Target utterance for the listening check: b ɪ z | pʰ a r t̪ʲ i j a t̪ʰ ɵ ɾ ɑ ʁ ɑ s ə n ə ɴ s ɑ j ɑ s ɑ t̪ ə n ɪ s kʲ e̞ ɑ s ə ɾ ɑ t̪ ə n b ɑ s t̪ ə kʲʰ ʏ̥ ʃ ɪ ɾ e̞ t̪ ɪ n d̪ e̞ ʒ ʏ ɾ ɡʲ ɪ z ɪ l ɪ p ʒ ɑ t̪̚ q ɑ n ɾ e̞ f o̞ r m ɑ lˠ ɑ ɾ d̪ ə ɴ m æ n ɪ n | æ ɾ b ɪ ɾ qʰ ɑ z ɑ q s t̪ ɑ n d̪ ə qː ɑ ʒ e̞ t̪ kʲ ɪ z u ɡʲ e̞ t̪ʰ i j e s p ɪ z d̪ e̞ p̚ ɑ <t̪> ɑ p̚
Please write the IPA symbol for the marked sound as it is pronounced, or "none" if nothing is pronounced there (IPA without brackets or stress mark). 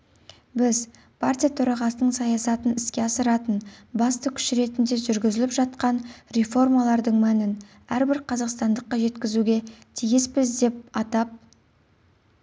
t̪